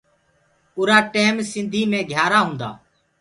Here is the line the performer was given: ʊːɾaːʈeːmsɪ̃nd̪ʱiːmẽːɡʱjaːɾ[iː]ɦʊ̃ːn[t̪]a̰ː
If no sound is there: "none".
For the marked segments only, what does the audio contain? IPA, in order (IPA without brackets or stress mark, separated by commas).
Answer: aː, d̪